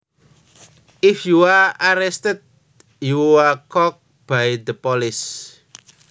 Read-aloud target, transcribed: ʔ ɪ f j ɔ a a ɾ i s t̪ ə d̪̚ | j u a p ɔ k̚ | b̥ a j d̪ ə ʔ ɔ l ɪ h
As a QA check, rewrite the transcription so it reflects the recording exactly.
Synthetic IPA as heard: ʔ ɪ f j u a a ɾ ɛ s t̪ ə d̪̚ | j u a k ɔ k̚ | b̥ a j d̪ ə p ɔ l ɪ s

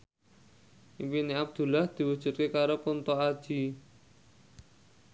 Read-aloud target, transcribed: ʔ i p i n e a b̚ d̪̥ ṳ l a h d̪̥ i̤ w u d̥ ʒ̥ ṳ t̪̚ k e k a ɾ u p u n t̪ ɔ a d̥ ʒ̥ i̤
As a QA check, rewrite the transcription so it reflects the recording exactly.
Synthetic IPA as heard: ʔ i p i n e a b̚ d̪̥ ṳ l a h d̪̥ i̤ w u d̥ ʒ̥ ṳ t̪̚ k e k a ɾ o p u n t̪ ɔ a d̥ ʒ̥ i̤

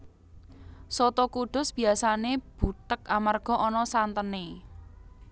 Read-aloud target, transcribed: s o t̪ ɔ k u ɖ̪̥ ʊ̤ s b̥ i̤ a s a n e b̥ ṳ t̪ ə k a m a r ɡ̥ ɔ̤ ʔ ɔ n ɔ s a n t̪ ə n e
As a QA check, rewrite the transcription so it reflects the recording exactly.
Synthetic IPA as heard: s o t̪ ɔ k u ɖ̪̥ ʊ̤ s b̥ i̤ a s a n e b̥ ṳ t̪ ə k a m a r ɡ̥ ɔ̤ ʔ ɔ n ɔ s a n t̪ ə n e

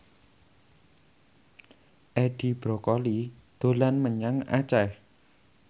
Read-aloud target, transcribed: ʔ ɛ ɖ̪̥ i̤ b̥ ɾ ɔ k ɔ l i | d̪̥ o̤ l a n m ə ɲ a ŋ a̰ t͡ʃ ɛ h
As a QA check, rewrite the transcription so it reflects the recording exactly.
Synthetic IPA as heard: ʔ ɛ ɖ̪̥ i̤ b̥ ɾ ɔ k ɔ l i | d̪̥ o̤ l a n m ə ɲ a ŋ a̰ t͡ʃ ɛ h

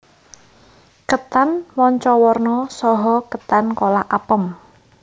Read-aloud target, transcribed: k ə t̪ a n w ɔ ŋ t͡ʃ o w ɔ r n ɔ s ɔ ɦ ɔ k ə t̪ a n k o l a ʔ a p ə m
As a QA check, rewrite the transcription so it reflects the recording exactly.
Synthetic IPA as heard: k ə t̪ a n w ɔ ɲ t͡ʃ ɔ w ɔ r n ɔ s ɔ ɦ ɔ k ə t̪ a n k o l a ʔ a p ə m

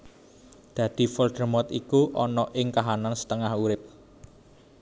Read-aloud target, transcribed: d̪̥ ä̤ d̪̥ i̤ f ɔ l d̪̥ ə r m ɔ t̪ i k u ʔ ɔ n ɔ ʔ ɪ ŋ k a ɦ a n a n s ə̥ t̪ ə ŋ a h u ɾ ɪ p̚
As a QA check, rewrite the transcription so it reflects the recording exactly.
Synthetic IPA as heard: d̪̥ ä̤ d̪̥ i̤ f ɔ l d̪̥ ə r m ɔ t̪ i k u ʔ ɔ n ɔ ʔ ɪ ŋ k a ɦ a n a n s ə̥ t̪ ə ŋ a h u ɾ ɪ p̚

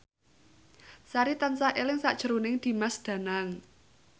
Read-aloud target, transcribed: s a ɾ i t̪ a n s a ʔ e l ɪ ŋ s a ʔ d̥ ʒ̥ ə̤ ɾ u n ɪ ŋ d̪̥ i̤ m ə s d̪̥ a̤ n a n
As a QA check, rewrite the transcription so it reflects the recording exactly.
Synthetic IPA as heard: s a ɾ i t̪ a n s a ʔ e l ɪ ŋ s a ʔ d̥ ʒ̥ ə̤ ɾ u n ɪ ŋ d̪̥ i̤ m a s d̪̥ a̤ n a ŋ

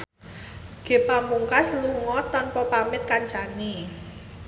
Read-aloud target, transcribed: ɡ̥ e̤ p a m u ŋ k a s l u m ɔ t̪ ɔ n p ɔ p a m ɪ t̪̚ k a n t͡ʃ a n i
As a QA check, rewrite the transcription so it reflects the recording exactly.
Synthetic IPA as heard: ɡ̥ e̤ p a m u ŋ k a s l u ŋ ɔ t̪ ɔ n p ɔ p a m ɪ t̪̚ k a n t͡ʃ a n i

